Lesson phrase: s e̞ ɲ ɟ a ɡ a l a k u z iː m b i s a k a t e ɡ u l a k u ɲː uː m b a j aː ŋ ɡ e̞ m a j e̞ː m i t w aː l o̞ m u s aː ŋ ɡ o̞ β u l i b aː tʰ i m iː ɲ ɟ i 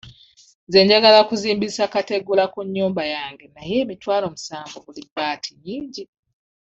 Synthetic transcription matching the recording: z e̞ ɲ ɟ a ɡ a l a k u z iː m b i s a k a t e ɡ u l a k u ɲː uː m b a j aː ŋ ɡ e̞ n a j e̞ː m i t w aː l o̞ m u s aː ŋ ɡ o̞ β u l i b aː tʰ i ɲ iː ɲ ɟ i